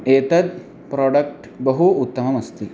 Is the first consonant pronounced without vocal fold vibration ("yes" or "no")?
yes